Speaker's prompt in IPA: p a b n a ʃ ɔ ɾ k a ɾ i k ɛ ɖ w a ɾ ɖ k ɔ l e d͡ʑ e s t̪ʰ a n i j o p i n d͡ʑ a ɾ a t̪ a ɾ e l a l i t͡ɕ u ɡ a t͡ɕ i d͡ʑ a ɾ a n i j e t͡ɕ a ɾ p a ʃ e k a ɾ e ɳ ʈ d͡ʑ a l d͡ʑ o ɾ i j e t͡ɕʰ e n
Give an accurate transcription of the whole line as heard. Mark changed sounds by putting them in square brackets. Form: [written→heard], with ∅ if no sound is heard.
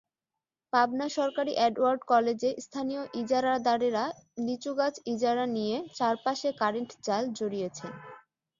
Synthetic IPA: p a b n a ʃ ɔ ɾ k a ɾ i [k→ʔ] ɛ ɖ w a ɾ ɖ k ɔ l e d͡ʑ e s t̪ʰ a n i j o [p→ʔ] i [n→∅] d͡ʑ a ɾ a [t̪→d̪] a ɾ e [l→ɾ] a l i t͡ɕ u ɡ a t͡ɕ i d͡ʑ a ɾ a n i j e t͡ɕ a ɾ p a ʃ e k a ɾ e ɳ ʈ d͡ʑ a l d͡ʑ o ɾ i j e t͡ɕʰ e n

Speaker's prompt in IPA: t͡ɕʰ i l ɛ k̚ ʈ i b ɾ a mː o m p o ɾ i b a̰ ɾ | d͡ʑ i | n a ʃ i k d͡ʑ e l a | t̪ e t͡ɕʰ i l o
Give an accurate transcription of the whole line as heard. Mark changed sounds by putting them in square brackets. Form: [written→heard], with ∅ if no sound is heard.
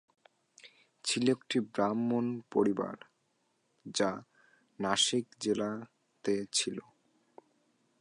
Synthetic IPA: t͡ɕʰ i l [ɛ→e] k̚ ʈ i b ɾ a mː o [m→n] p o ɾ i b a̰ ɾ | d͡ʑ [i→a] | n a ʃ i k d͡ʑ e l a | t̪ e t͡ɕʰ i l o

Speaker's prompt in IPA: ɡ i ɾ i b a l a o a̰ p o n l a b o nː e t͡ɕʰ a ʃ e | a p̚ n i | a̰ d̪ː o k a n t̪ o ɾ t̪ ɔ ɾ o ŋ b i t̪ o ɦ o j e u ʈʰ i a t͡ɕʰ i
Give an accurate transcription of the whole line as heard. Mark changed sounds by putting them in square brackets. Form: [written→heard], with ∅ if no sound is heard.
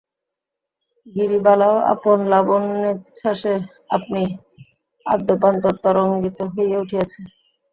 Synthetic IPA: ɡ i ɾ i b a l a o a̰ p o n l a b o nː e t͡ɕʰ a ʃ e | a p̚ n i | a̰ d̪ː o [k→p] a n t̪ o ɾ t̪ ɔ ɾ o ŋ [b→ɡ] i t̪ o ɦ o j e u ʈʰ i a t͡ɕʰ [i→e]

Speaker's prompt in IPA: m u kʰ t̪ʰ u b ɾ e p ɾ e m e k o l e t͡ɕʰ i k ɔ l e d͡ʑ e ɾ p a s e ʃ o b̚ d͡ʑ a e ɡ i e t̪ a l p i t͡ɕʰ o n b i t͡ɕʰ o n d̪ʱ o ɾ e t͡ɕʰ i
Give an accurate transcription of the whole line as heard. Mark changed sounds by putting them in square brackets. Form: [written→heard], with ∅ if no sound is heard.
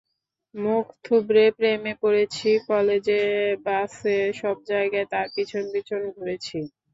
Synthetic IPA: m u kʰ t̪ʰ u b ɾ e p ɾ e m e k o [l→ɾ] e t͡ɕʰ i k ɔ l e d͡ʑ e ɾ [p→b] a s e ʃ [o→ɔ] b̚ d͡ʑ a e ɡ [i→a] e t̪ a [l→ɾ] p i t͡ɕʰ o n b i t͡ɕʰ o n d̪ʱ o ɾ e t͡ɕʰ i

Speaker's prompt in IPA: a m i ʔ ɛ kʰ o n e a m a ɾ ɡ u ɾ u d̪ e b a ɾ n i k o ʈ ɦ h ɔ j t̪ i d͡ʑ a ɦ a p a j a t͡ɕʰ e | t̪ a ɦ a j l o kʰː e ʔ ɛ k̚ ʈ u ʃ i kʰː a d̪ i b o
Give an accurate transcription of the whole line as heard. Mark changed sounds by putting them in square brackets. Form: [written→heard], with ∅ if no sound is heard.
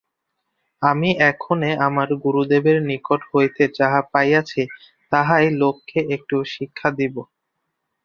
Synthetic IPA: a m i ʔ ɛ kʰ o n e a m a ɾ ɡ u ɾ u d̪ e b [a→e] ɾ n i k o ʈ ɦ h [ɔ→o] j t̪ [i→e] d͡ʑ a ɦ a p a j a t͡ɕʰ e | t̪ a ɦ a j l o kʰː e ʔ [ɛ→e] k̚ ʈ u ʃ i kʰː a d̪ i b o

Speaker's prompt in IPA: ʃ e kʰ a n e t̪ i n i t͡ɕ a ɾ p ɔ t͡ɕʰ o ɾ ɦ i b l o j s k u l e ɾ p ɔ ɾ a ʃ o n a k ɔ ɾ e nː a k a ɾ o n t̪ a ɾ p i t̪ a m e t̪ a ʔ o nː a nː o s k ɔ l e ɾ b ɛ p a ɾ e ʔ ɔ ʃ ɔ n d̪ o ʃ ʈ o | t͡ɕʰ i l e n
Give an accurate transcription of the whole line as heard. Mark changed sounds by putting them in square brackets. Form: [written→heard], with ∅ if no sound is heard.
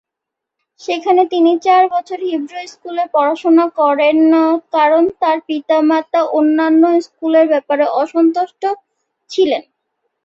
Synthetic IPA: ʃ e kʰ a n e t̪ i n i t͡ɕ a ɾ [p→b] ɔ t͡ɕʰ o ɾ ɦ i b [l→ɾ] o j s k u l e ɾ p ɔ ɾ a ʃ o n a k ɔ ɾ e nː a k a ɾ o n t̪ a ɾ p i t̪ a m [e→a] t̪ a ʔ o nː a nː o s k [ɔ→u] l e ɾ b ɛ p a ɾ e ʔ ɔ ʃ ɔ n [d̪→t̪] o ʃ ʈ o | t͡ɕʰ i l e n

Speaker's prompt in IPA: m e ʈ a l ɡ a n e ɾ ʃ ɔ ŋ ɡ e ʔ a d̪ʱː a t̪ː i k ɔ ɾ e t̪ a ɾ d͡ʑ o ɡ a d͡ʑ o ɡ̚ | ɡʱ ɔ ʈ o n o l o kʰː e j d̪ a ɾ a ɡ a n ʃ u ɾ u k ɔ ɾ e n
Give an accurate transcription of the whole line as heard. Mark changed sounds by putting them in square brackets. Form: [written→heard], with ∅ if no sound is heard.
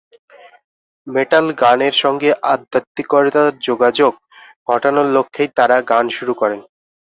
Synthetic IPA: m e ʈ a l ɡ a n e ɾ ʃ ɔ ŋ ɡ e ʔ a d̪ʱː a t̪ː i k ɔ ɾ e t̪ a ɾ d͡ʑ o ɡ a d͡ʑ o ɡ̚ | ɡʱ ɔ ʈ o n o l o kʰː e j [d̪→t̪] a ɾ a ɡ a n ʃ u ɾ u k ɔ ɾ e n

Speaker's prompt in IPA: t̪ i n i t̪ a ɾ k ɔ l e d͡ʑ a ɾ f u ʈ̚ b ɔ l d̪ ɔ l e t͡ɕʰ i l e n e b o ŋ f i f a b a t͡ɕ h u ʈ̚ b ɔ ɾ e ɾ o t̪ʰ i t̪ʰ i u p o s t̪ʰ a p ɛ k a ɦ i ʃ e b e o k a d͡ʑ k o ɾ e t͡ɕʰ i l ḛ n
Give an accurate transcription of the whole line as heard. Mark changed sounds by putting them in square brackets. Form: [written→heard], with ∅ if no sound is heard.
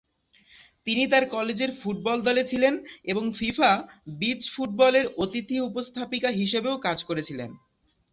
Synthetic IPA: t̪ i n i t̪ a ɾ k ɔ l e d͡ʑ [a→e] ɾ f u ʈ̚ b ɔ l d̪ ɔ l e t͡ɕʰ i l e n e b o ŋ f i f a b [a→i] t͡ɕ [h→f] u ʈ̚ b ɔ [ɾ→l] e ɾ o [t̪ʰ→t̪] i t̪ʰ i u p o s t̪ʰ a p [ɛ→i] k a ɦ i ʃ e b e o k a d͡ʑ k o ɾ e t͡ɕʰ i l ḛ n

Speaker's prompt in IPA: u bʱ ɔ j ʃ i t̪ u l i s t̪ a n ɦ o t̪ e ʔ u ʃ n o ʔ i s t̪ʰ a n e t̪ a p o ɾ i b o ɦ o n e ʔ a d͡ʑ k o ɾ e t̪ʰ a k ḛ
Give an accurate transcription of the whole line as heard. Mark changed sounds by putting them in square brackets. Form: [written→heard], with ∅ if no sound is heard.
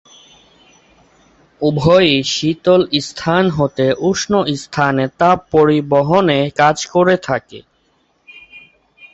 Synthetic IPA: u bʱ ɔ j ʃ i t̪ [u→o] l i s [t̪→t̪ʰ] a n ɦ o t̪ e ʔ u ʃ n o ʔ i s t̪ʰ a n e t̪ a p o ɾ i b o ɦ o n e [ʔ→k] a d͡ʑ k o ɾ e t̪ʰ a k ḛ

